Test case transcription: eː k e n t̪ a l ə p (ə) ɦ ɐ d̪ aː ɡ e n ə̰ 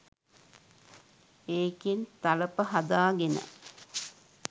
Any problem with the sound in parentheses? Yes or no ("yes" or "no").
no